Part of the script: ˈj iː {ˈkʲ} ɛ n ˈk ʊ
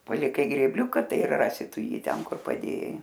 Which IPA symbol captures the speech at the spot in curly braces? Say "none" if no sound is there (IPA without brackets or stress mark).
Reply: tʲ